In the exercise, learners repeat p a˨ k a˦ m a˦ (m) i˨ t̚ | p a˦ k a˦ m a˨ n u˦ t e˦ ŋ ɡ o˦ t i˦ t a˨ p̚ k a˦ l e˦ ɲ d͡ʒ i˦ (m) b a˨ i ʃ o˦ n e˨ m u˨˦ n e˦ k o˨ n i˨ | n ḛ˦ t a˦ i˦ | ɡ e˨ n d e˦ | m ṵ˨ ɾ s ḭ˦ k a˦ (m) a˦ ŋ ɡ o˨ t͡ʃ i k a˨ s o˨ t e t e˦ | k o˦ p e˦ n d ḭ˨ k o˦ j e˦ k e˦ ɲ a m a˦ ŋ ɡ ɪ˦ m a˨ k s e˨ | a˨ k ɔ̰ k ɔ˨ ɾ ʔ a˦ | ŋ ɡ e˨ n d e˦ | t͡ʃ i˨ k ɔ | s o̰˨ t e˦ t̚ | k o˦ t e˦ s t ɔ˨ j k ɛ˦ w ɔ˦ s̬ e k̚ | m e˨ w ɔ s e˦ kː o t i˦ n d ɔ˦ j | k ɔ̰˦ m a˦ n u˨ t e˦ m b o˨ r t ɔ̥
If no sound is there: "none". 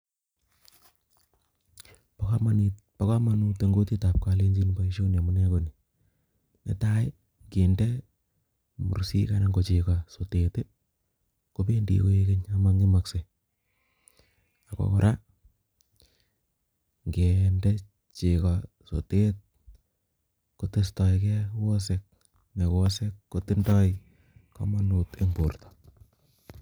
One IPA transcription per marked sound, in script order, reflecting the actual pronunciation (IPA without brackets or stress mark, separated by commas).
n, n, n